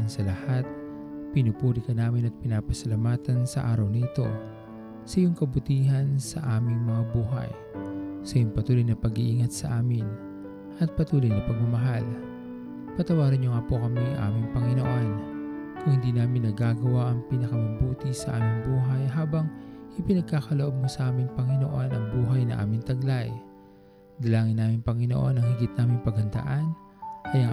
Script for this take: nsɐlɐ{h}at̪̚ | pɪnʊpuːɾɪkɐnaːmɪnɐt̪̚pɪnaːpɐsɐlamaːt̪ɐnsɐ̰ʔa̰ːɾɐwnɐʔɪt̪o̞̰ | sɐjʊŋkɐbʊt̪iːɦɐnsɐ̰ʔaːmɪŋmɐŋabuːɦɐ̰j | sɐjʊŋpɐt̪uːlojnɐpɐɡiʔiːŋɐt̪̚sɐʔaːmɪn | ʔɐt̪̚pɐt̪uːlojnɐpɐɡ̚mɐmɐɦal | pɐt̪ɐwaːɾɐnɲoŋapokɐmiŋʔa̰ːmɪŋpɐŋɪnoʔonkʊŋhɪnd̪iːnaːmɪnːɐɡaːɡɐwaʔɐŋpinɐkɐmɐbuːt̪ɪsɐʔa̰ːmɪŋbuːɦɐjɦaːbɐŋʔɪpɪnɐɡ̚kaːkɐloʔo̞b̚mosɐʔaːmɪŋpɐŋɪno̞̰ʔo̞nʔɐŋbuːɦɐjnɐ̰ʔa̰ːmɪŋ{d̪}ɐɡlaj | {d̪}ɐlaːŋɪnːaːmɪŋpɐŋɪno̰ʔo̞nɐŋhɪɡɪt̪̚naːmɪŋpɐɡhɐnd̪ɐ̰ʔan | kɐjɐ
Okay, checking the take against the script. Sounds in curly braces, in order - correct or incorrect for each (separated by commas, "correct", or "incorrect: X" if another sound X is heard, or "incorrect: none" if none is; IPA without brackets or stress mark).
correct, incorrect: t̪, correct